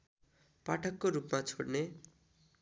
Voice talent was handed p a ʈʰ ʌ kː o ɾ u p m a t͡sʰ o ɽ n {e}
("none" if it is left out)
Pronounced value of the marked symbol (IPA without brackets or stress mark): e